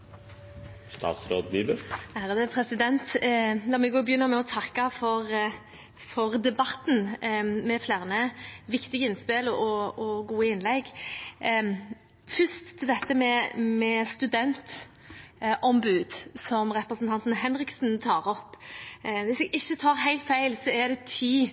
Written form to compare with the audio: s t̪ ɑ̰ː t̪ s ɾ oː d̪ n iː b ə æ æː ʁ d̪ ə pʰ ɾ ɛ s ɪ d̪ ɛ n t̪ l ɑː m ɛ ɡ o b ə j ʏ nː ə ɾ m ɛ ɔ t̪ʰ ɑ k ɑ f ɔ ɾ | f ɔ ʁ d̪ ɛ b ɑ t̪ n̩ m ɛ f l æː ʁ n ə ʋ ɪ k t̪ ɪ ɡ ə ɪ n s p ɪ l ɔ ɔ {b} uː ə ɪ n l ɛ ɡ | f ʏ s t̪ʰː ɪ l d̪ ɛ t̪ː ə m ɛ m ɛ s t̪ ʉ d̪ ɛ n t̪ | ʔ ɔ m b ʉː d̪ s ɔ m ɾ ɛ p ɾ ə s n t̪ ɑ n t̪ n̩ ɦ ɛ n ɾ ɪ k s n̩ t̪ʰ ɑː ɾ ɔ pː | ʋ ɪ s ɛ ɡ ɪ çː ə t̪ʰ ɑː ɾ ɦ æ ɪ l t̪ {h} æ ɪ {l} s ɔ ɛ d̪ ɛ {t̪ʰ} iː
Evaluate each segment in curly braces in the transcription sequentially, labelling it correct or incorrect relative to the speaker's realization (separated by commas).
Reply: incorrect, incorrect, correct, correct